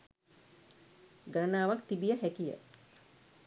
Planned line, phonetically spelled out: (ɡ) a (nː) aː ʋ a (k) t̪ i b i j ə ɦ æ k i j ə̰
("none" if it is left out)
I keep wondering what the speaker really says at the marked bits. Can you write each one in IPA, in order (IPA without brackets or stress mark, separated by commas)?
ɡ, n, k